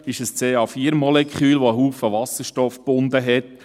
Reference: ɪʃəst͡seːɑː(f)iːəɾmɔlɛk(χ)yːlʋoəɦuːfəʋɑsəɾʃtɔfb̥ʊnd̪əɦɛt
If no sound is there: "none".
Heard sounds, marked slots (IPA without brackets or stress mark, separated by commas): f, χ